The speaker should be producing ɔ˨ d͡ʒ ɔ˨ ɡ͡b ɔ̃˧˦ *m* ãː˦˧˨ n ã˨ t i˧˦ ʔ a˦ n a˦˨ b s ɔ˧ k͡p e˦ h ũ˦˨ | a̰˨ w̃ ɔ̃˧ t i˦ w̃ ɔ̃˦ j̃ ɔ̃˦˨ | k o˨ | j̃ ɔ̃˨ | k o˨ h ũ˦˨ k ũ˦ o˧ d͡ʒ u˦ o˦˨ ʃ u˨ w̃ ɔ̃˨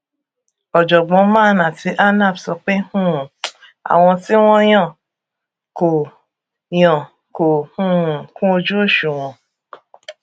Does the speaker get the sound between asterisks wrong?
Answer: no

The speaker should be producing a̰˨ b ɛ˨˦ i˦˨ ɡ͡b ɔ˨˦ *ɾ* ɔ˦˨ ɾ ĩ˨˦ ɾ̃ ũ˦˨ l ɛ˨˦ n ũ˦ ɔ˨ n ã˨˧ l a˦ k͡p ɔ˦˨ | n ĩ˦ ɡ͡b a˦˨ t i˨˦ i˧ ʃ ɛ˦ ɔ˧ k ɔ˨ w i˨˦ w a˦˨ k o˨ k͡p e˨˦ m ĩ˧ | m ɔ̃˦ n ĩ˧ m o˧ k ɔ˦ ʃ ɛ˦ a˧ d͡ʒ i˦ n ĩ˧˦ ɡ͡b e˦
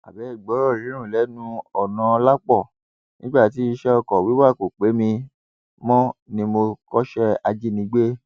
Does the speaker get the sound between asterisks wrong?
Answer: no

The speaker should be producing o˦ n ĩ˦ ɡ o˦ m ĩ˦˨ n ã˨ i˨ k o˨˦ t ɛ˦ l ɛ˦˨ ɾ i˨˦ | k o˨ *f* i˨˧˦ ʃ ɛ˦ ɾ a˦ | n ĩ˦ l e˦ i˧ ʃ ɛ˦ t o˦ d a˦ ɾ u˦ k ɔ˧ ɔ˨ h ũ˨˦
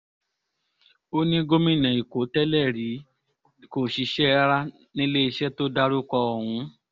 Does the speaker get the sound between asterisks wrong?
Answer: yes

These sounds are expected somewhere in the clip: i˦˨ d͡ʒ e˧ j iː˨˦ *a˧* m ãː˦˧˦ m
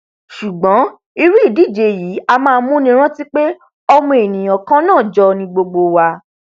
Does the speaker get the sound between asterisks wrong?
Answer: no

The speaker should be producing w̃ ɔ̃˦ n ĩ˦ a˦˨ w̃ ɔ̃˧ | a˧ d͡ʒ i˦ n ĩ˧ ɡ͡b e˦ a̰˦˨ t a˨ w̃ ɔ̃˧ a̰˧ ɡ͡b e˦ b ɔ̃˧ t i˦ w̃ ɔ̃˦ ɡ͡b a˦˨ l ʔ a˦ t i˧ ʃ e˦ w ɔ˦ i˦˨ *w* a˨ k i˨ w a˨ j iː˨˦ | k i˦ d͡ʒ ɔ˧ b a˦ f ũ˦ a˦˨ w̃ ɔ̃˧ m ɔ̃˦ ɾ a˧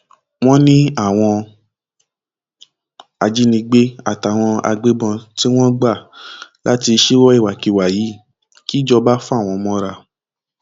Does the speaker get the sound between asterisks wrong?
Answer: no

